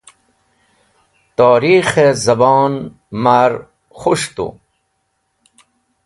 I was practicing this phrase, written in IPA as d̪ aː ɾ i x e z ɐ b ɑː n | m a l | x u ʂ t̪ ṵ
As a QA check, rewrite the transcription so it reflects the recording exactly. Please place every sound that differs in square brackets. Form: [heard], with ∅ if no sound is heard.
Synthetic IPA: [t̪] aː ɾ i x e z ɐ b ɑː n | m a [ɾ] | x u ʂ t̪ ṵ